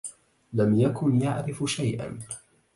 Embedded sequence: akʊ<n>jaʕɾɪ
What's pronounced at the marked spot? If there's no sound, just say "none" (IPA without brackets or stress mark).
n